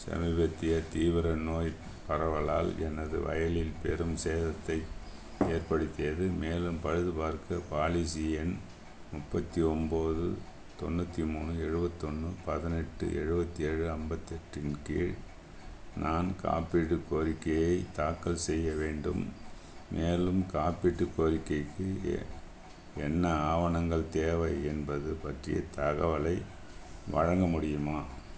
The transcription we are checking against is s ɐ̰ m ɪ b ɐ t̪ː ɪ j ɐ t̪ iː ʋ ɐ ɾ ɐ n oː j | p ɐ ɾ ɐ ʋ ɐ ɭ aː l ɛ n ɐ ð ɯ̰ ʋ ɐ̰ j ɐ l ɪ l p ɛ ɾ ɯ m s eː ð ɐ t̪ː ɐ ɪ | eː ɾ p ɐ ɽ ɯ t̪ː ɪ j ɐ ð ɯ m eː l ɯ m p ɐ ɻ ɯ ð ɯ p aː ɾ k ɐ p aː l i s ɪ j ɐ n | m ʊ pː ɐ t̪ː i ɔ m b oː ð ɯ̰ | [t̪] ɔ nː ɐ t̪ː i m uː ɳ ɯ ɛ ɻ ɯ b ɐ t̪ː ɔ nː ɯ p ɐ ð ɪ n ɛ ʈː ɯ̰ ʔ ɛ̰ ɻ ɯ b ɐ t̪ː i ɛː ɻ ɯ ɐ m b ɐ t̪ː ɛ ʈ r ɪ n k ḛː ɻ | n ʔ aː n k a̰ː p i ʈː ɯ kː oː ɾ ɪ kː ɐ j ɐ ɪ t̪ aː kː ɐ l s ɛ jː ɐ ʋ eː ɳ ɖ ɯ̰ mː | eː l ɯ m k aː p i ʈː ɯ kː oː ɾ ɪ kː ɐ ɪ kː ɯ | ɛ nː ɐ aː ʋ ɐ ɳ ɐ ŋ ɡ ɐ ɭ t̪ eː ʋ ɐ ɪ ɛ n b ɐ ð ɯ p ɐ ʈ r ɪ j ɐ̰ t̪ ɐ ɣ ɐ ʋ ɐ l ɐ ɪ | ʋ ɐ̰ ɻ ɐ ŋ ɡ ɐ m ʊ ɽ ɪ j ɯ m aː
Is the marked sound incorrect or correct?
correct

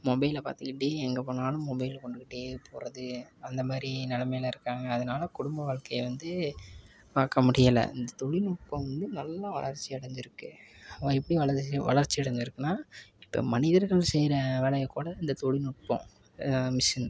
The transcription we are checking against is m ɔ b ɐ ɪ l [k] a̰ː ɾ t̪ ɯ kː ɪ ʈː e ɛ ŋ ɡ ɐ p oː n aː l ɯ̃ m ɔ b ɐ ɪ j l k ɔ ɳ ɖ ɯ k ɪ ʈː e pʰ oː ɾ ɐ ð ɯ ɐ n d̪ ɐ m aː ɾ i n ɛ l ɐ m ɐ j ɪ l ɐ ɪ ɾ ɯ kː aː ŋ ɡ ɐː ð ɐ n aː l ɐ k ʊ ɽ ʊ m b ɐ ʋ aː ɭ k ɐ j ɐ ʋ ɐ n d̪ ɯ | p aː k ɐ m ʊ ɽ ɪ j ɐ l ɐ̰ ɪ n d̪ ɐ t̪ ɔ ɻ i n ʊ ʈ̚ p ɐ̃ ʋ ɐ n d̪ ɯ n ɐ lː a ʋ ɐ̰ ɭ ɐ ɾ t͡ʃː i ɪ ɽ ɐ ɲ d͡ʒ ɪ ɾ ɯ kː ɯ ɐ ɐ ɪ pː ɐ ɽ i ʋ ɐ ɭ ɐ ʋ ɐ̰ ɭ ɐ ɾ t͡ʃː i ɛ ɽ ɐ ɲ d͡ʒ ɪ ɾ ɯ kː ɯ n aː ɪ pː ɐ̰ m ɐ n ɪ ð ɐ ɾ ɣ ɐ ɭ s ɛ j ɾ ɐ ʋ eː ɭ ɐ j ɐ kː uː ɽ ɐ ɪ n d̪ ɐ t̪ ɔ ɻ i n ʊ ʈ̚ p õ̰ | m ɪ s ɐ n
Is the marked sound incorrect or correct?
incorrect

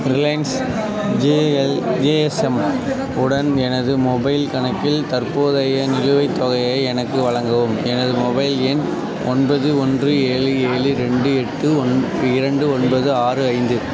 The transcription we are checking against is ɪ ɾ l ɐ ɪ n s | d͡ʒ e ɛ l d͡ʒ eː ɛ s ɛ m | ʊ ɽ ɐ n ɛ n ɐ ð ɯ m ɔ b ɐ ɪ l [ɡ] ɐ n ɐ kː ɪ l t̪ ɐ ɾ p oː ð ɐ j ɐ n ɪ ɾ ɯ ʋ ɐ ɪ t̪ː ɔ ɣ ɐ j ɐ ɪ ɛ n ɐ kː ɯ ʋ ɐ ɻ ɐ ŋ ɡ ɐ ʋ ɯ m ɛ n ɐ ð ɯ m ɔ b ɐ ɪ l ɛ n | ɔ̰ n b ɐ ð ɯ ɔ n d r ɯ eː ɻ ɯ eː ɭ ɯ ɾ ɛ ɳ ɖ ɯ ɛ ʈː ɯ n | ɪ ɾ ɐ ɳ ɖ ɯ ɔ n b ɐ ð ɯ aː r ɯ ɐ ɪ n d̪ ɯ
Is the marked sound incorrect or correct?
incorrect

